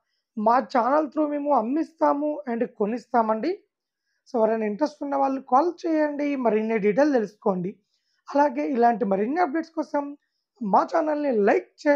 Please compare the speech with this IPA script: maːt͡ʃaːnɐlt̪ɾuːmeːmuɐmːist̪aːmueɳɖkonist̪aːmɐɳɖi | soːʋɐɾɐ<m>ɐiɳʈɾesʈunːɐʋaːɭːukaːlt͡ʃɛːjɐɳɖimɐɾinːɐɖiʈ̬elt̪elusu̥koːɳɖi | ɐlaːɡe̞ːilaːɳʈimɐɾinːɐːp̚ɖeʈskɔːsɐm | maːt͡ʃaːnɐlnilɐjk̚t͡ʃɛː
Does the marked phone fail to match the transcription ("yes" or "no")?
yes